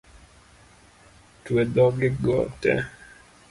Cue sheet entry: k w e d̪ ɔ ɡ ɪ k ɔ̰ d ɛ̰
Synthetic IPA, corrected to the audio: t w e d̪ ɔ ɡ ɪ ɡ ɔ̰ t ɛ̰